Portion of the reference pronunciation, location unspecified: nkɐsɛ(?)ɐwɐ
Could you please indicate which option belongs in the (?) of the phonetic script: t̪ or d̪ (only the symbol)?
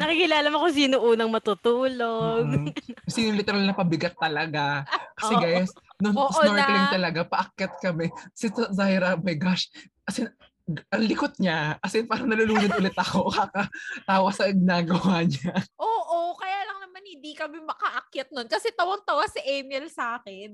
t̪